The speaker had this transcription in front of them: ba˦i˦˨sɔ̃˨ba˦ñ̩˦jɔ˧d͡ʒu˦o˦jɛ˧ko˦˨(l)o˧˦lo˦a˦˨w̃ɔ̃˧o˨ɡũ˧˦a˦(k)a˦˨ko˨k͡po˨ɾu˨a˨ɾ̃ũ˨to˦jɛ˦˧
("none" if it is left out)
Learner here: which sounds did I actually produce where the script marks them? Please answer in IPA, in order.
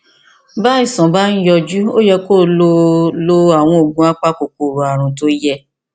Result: l, k͡p

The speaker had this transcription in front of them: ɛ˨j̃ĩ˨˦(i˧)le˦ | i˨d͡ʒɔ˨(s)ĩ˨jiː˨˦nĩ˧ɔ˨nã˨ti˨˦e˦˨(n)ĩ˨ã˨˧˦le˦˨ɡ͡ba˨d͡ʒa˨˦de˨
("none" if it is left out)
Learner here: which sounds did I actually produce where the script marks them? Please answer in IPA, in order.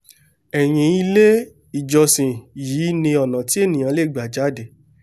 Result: i˧, s, n

